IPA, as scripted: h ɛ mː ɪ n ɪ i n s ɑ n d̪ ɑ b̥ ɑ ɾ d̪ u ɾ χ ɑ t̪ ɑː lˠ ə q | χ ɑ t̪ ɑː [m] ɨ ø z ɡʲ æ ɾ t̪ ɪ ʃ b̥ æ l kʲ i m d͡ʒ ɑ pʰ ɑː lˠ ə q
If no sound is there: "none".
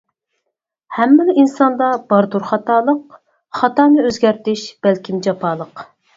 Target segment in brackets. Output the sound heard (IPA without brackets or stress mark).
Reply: n